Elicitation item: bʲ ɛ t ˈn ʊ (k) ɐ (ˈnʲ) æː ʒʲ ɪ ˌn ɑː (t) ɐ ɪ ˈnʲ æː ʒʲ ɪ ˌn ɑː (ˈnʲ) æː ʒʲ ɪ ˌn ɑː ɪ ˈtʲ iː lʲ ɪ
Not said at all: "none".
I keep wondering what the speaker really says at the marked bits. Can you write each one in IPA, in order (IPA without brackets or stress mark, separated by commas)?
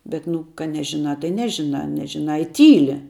k, nʲ, t, nʲ